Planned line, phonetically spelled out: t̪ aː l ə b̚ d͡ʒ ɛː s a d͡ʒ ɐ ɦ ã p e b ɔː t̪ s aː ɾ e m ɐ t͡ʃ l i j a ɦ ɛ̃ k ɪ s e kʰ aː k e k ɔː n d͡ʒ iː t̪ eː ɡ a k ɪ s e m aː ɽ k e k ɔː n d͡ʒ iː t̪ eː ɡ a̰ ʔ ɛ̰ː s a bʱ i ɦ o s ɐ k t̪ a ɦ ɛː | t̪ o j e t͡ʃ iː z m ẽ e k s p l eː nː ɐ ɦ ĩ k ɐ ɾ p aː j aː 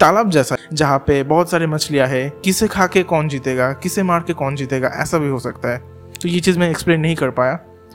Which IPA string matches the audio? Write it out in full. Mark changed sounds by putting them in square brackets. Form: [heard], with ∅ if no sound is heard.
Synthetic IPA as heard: t̪ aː l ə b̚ d͡ʒ ɛː s a d͡ʒ ɐ ɦ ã p e b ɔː t̪ s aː ɾ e m ɐ t͡ʃ l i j a ɦ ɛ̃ k ɪ s e kʰ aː k e k ɔː n d͡ʒ iː t̪ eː ɡ a k ɪ s e m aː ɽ k e k ɔː n d͡ʒ iː t̪ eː ɡ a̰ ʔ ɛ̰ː s a bʱ i ɦ o s ɐ k t̪ a ɦ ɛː | t̪ o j e t͡ʃ iː z m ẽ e k s p l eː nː ɐ ɦ ĩ k ɐ ɾ p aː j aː